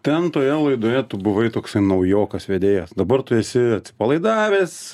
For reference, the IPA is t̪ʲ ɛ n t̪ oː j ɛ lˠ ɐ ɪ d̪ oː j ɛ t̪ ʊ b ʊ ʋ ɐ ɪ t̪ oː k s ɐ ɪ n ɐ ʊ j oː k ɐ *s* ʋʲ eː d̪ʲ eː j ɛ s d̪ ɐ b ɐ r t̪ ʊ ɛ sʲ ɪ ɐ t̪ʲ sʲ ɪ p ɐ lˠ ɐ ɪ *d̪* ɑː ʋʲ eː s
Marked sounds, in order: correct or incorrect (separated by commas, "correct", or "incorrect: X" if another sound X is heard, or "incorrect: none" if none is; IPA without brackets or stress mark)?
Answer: correct, correct